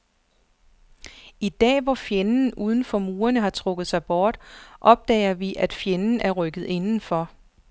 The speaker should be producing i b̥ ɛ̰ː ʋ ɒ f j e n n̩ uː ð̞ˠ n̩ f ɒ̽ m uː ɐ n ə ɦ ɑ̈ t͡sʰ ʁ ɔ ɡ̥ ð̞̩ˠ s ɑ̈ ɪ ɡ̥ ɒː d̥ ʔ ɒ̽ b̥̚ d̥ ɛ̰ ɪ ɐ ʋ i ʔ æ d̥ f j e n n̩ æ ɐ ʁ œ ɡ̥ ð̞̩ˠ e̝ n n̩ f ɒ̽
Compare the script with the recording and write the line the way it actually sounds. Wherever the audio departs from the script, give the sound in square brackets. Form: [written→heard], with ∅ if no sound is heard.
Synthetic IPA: i [b̥→d̥] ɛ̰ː ʋ ɒ f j e n n̩ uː ð̞ˠ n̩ f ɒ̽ m uː ɐ n ə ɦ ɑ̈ t͡sʰ ʁ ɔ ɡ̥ ð̞̩ˠ s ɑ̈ ɪ [ɡ̥→b̥] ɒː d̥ ʔ ɒ̽ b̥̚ d̥ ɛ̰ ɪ ɐ ʋ i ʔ æ d̥ f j e n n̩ æ ɐ ʁ œ ɡ̥ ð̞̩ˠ e̝ n n̩ f ɒ̽